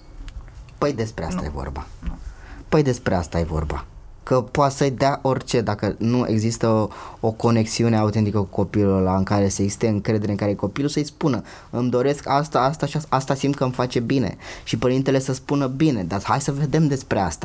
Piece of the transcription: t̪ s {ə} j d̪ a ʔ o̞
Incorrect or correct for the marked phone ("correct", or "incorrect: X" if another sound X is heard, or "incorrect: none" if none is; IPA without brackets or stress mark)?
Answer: correct